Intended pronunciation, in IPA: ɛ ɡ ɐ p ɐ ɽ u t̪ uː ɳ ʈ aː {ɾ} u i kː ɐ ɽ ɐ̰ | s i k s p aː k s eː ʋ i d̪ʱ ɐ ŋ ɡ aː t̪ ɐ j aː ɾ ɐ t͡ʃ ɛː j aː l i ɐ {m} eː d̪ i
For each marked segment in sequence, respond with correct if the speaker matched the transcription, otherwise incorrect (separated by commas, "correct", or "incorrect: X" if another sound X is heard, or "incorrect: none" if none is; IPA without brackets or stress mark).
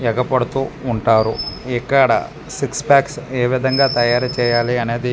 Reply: correct, incorrect: n